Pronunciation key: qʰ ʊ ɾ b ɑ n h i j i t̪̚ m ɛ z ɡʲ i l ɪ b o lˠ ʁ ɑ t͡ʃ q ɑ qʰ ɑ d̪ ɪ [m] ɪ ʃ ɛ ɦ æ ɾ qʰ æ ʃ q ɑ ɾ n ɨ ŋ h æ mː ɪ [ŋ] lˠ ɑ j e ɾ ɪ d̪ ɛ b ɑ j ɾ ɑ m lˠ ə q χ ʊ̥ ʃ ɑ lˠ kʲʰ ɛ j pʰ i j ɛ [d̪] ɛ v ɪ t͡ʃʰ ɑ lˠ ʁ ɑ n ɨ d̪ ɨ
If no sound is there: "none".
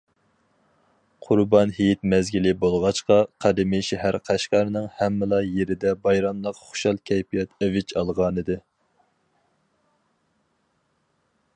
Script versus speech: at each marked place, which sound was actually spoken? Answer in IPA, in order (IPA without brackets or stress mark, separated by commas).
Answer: m, none, t̪